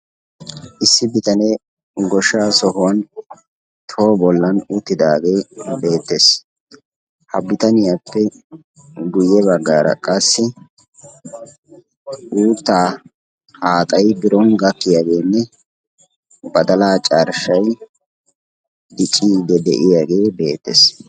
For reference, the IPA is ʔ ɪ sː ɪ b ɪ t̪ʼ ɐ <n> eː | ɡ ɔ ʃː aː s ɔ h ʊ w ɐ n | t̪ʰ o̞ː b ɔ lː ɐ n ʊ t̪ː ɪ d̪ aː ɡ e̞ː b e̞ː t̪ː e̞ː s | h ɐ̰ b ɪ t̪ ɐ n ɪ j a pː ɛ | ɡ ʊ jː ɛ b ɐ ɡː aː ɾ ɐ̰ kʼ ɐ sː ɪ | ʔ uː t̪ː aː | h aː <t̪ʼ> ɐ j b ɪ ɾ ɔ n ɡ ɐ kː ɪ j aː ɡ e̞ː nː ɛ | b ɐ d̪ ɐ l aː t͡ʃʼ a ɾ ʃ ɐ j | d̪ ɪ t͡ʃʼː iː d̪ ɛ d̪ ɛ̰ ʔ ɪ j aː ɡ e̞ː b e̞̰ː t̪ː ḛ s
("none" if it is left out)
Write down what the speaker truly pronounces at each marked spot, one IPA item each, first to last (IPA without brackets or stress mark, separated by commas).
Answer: n, t̪ʼ